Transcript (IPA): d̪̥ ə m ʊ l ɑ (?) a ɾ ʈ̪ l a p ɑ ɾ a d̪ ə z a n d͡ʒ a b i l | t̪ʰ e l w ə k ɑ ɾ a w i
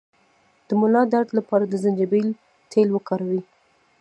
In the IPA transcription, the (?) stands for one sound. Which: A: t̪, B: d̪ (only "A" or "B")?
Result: B